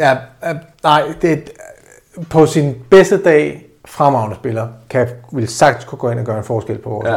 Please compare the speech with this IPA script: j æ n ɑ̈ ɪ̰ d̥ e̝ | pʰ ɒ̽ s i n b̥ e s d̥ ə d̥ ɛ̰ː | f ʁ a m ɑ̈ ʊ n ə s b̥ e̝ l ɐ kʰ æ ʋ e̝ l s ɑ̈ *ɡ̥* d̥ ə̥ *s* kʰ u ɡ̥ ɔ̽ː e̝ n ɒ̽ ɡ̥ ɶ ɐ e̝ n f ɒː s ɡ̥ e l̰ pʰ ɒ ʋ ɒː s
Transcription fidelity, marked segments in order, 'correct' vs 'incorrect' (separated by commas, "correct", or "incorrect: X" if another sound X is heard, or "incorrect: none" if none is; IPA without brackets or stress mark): correct, correct